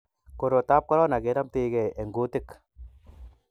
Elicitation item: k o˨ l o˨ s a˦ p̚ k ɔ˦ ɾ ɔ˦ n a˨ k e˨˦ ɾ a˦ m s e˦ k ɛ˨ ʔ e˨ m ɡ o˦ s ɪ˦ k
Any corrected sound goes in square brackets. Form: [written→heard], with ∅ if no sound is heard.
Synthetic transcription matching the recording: k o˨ [l→ɾ] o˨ [s→t] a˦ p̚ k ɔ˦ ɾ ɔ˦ n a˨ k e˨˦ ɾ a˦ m [s→t] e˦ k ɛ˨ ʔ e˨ [m→ŋ] ɡ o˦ [s→t] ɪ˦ k